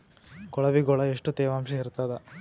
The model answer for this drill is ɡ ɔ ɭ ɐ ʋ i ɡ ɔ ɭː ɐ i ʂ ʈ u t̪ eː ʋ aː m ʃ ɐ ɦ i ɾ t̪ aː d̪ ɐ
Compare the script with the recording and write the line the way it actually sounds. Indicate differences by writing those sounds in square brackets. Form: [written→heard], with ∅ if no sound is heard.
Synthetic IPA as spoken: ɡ ɔ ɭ ɐ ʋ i ɡ ɔ [ɭː→ɭ] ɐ [i→e] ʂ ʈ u t̪ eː ʋ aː m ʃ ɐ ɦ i ɾ t̪ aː d̪ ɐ